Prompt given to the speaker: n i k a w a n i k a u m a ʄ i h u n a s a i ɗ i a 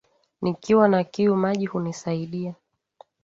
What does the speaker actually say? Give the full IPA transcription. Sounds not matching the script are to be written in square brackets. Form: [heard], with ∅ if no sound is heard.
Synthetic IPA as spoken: n i k [i] w a n [a] k [i] u m a ʄ i h u n [i] s a i ɗ i a